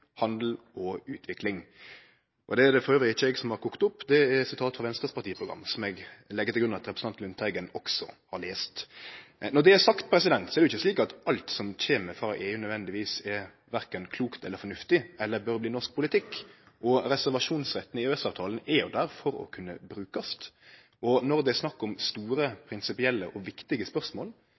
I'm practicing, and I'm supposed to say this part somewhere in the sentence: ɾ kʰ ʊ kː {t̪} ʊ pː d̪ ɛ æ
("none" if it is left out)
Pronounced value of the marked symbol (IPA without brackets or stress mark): t̪